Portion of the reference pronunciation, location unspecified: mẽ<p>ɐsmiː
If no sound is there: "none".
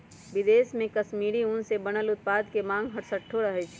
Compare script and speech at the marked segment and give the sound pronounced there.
k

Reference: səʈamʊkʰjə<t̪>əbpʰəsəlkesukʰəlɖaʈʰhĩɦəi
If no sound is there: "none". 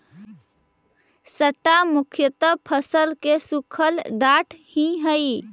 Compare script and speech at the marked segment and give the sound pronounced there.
t̪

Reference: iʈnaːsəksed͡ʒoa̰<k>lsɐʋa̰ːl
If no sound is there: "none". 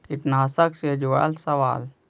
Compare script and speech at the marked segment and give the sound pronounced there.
none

